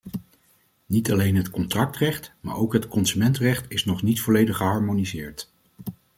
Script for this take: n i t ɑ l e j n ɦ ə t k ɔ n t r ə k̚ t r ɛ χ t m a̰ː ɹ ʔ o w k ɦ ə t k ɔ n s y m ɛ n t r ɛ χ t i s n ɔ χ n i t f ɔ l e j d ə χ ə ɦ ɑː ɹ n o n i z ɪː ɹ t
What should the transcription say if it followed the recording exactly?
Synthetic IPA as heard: n i t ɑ l e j n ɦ ə t k ɔ n t r ɑ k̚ t r ɛ χ t m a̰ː ɹ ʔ o w k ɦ ə t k ɔ n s y m ɛ n t r ɛ χ t ɪ s n ɔ χ n i t f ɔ l e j d ə χ ə ɦ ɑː ɹ m o n i z ɪː ɹ t